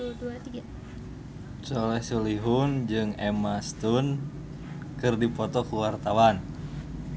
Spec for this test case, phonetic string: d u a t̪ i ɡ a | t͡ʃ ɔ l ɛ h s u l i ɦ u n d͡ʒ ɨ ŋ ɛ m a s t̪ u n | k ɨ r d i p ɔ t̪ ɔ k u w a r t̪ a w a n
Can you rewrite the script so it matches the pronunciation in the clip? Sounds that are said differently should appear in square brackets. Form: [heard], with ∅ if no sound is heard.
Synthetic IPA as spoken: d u a t̪ i ɡ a | t͡ʃ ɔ l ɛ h s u l i ɦ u n d͡ʒ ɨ ŋ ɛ m a s t̪ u n | k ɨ r d i p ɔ t̪ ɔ k u w a r t̪ a w a n